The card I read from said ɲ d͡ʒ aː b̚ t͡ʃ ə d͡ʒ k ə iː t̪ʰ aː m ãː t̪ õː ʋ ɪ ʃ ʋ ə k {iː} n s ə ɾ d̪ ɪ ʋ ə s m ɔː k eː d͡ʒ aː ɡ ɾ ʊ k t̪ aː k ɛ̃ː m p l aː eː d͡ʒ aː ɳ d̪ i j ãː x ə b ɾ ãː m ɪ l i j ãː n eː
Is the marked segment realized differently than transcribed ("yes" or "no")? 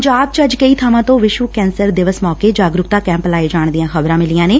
yes